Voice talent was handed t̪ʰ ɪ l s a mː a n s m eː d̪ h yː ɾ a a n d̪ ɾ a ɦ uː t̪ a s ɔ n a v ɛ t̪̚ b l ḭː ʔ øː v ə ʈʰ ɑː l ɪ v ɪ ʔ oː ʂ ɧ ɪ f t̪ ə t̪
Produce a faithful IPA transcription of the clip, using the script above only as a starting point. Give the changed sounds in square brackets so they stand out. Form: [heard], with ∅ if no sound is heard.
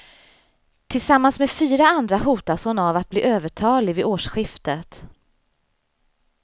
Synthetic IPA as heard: t̪ʰ ɪ l s a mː a n s m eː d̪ [f] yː ɾ a a n d̪ ɾ a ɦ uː t̪ a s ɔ n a v [a] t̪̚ b l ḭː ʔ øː v ə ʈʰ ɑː l ɪ v ɪ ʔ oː ʂ ɧ ɪ f t̪ ə t̪

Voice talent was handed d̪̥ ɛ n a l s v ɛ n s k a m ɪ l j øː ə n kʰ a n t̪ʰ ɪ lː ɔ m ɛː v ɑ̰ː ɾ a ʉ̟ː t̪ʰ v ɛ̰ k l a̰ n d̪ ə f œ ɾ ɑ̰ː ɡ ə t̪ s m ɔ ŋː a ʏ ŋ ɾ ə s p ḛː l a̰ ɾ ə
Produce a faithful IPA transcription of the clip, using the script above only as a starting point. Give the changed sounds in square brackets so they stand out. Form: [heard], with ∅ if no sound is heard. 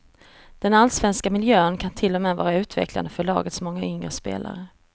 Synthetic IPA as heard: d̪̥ ɛ n a l s v ɛ n s k a m ɪ l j øː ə n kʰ a n t̪ʰ ɪ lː ɔ m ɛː v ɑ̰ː ɾ a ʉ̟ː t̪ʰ v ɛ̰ k l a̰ n d̪ ə f œ [ɭ] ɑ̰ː ɡ ə t̪ s m ɔ ŋː a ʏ ŋ ɾ ə s p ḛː l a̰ ɾ ə

